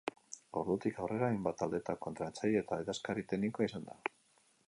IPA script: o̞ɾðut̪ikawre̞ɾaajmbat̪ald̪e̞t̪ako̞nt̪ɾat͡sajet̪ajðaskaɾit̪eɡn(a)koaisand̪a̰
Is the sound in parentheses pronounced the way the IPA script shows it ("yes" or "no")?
no